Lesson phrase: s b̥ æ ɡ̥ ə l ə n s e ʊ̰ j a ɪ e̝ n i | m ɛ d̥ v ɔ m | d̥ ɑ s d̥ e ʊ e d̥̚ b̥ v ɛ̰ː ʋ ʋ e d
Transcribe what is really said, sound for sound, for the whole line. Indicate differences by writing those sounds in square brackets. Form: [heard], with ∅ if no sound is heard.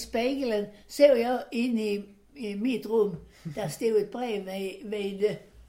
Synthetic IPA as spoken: s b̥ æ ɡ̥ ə l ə n s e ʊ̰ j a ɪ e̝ n i | m [i] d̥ [ʁ] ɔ m | d̥ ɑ s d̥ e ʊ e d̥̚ b̥ [ʁ] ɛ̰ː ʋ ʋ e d